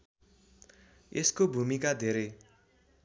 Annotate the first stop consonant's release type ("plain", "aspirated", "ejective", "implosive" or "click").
plain